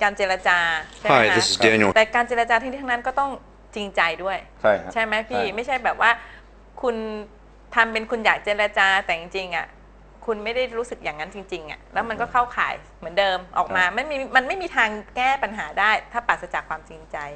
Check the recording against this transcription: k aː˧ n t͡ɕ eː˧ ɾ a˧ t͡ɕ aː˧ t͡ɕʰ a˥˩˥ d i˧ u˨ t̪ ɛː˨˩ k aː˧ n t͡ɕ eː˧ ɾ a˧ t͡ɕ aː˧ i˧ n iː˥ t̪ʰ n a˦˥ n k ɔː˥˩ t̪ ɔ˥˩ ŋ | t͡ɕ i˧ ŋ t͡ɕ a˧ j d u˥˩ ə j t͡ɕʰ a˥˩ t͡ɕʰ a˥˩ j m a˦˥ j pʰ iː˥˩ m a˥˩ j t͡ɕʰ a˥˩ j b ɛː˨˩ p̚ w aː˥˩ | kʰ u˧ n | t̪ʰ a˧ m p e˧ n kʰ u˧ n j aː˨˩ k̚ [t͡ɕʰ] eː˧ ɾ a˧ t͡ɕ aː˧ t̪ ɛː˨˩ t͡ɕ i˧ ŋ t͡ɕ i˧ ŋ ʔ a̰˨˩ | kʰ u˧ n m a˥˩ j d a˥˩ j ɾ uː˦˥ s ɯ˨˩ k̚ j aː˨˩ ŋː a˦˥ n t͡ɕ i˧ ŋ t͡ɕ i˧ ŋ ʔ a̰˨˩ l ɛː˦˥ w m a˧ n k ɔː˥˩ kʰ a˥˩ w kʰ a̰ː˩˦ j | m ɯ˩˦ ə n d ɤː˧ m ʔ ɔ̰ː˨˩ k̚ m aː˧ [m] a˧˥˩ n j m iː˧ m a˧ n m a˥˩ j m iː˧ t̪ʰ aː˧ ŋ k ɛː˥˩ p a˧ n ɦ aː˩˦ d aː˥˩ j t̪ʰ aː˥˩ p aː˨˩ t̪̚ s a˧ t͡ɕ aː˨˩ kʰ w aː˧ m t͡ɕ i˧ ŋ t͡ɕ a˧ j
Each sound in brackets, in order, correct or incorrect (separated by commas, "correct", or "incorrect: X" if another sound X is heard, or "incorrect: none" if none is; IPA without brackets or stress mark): incorrect: t͡ɕ, correct